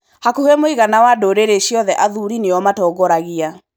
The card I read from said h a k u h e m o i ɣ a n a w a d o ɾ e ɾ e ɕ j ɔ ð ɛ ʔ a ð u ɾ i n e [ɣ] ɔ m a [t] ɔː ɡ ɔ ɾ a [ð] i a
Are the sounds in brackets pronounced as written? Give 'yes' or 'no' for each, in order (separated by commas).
no, yes, no